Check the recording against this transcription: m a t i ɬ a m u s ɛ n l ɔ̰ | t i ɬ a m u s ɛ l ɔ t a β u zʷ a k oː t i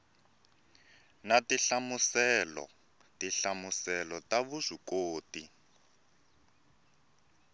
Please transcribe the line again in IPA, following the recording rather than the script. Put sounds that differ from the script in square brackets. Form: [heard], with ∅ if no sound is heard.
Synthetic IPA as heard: [n] a t i ɬ a m u s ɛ [∅] l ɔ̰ | t i ɬ a m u s ɛ l ɔ t a β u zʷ [i] k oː t i

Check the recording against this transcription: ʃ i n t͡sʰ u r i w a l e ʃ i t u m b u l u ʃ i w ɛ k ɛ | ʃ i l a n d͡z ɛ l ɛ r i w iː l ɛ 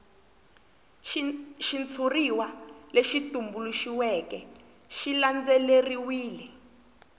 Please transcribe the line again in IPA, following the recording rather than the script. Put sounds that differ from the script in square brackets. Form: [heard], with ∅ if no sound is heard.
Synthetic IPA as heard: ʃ i n t͡sʰ u r i w a l e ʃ i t u m b u l u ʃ i w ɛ k ɛ | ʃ i l a n d͡z ɛ l [e] r i w iː l ɛ

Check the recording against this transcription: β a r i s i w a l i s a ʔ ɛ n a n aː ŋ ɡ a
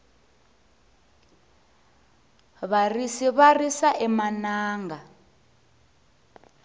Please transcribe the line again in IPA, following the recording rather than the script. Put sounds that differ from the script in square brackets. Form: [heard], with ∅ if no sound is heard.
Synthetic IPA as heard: β a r i s i [β] a [r] i s a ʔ ɛ [m] a n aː ŋ ɡ a

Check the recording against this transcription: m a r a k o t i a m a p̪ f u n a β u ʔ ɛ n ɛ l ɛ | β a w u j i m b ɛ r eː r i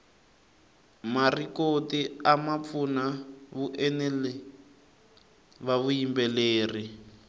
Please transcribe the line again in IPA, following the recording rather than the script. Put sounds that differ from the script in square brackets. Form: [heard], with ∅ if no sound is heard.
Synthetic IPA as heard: m a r [i] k o t i a m a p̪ f u n a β u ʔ ɛ n ɛ l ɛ | β a [β] u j i m b ɛ [l] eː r i

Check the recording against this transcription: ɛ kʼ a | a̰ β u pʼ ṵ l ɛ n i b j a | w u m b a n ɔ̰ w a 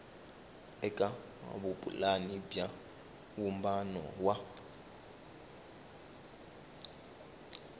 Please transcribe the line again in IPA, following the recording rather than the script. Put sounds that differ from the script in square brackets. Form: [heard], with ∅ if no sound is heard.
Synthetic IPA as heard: ɛ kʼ a | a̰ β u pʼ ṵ l [a] n i b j a | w u m b a n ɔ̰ w a

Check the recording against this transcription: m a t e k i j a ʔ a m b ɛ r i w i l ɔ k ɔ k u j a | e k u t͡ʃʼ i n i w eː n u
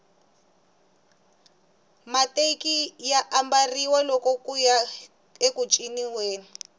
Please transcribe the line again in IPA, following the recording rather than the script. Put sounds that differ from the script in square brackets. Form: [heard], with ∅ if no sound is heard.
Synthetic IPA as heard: m a t e k i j a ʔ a m b [a] r i w [a] l ɔ k ɔ k u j a | e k u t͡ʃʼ i n i w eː n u

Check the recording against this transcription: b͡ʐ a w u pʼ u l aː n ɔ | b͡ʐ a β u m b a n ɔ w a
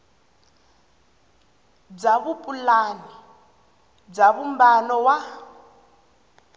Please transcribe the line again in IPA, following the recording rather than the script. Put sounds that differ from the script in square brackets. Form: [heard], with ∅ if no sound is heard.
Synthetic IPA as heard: b͡ʐ a [β] u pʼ u l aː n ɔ | b͡ʐ a β u m b a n ɔ w a

